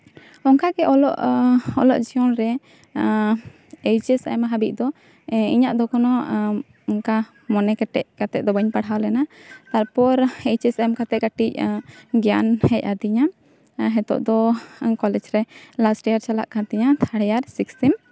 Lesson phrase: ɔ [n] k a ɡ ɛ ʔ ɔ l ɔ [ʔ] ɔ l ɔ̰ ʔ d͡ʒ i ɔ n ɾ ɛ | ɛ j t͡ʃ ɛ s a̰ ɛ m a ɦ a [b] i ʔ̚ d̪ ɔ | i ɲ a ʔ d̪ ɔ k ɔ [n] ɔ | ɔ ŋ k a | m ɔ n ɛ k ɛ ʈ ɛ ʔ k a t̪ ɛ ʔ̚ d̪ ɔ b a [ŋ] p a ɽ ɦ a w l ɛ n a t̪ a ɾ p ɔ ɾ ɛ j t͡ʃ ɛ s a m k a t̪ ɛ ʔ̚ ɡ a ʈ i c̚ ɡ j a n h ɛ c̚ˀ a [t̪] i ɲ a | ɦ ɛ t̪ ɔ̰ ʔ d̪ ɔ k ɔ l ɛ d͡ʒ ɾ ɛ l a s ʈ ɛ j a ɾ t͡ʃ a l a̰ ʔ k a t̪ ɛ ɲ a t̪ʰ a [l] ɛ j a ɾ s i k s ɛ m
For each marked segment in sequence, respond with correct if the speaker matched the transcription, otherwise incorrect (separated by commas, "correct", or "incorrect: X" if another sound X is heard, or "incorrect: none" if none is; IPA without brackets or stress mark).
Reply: incorrect: ŋ, correct, correct, correct, incorrect: ɲ, incorrect: d̪, incorrect: ɽ